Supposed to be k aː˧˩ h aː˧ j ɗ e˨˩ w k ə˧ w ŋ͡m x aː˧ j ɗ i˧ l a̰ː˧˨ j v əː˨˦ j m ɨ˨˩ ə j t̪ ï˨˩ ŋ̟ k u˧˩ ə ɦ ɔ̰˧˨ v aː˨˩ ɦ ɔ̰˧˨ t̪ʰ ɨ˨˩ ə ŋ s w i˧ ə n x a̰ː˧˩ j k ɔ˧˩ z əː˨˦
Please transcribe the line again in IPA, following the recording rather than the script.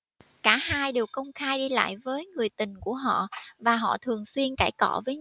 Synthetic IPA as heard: k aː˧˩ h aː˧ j ɗ e˨˩ w k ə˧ w ŋ͡m x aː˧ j ɗ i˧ l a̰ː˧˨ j v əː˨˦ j ŋ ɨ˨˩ ə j t̪ ï˨˩ ŋ̟ k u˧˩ ə ɦ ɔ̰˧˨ v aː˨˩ ɦ ɔ̰˧˨ t̪ʰ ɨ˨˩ ə ŋ s w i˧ ə n k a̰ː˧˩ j k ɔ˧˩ v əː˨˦